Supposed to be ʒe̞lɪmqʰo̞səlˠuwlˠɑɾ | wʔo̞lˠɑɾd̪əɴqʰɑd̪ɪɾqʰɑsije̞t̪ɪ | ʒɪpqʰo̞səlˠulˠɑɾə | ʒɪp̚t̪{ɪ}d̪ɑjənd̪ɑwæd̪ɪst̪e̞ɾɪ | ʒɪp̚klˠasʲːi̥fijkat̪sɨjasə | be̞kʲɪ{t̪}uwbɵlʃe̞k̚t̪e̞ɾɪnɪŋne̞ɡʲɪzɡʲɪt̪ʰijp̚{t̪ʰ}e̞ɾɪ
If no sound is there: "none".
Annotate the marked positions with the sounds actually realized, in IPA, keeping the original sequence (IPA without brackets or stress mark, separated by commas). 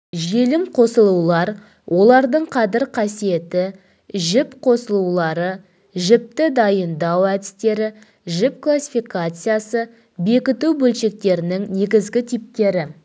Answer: ɪ, t̪, t̪